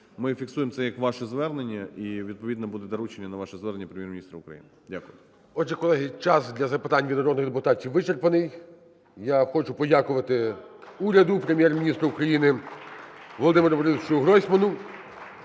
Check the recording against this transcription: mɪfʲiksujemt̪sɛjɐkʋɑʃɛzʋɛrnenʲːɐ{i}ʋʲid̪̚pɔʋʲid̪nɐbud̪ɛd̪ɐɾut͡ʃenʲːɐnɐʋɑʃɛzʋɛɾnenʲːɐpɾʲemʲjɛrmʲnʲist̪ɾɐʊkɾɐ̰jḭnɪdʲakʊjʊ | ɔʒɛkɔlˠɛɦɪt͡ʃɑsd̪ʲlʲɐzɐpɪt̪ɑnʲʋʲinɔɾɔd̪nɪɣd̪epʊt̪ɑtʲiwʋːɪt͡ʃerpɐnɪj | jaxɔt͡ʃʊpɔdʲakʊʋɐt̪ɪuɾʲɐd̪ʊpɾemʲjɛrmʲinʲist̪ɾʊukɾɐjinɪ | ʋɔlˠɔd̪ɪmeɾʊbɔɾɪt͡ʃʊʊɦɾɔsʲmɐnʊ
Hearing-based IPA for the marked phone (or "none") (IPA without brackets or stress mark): i